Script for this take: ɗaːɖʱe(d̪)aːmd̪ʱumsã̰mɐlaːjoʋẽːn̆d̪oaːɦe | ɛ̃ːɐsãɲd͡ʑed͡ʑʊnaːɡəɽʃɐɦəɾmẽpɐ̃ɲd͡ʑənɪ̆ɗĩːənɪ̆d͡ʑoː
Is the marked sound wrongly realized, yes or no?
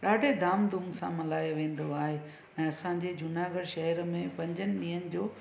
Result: no